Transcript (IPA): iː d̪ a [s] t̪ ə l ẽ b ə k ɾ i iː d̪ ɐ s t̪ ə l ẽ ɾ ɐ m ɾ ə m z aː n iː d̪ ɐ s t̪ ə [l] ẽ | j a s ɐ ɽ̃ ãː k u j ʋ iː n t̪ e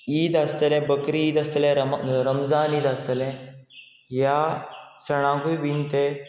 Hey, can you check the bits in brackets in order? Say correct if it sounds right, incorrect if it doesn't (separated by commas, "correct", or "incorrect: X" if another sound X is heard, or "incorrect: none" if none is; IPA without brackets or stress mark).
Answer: correct, correct